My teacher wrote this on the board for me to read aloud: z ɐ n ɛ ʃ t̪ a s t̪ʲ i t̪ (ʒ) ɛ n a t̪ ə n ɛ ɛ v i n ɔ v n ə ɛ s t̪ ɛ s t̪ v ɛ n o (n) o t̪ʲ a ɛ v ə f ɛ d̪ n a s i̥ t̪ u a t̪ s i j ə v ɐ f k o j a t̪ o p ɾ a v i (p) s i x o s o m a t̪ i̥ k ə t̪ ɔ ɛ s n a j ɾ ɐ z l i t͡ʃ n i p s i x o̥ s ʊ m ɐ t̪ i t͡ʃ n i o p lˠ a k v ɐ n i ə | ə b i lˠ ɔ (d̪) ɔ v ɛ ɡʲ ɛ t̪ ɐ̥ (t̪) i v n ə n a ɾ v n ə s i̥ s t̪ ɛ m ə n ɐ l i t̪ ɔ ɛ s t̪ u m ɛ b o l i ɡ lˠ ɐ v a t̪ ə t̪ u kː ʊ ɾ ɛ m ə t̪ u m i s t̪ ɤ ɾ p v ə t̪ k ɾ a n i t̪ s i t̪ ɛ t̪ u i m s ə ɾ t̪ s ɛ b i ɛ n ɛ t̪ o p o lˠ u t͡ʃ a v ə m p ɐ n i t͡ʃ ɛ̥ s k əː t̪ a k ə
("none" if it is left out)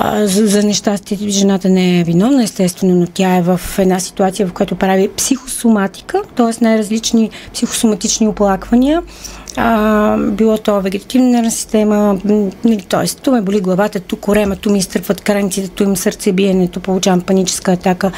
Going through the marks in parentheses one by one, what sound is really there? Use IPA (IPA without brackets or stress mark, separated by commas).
ʒ, n, p, t̪, t̪